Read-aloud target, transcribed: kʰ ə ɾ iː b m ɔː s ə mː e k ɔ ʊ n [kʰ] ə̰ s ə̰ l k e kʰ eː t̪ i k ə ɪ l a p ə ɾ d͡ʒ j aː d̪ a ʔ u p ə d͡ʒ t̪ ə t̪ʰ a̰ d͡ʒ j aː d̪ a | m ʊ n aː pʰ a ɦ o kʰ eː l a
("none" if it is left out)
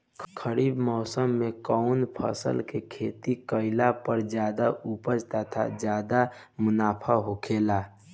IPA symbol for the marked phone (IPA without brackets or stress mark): pʰ